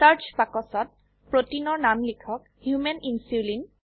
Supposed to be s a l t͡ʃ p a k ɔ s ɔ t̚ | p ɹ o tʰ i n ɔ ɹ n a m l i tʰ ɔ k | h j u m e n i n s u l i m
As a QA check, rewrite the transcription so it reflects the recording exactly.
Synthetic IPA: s a ɹ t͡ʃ p a k ɔ s ɔ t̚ | p ɹ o t i n ɔ ɹ n a m l i kʰ ɔ k | h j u m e n i n s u l i n